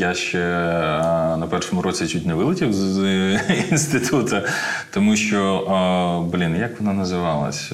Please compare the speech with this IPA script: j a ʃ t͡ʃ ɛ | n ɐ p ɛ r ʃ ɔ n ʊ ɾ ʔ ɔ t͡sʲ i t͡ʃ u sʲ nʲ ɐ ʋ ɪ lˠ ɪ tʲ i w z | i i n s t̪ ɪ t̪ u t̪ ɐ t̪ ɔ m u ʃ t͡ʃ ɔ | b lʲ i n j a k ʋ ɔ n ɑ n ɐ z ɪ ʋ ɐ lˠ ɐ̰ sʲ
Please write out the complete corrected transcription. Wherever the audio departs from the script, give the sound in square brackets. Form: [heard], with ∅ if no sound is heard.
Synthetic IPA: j a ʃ t͡ʃ ɛ | n ɐ p ɛ r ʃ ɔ [m] ʊ ɾ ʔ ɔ t͡sʲ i t͡ʃ u [tʲ] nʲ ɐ ʋ ɪ lˠ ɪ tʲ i w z | i i n s t̪ ɪ t̪ u t̪ ɐ t̪ ɔ m u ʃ t͡ʃ ɔ | b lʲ i n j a k ʋ ɔ n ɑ n ɐ z ɪ ʋ [ɑ] lˠ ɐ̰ sʲ